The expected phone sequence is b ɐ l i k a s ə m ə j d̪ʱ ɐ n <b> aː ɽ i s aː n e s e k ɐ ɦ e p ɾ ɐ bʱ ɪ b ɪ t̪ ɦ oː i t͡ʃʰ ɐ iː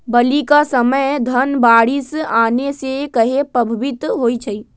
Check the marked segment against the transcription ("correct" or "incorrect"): correct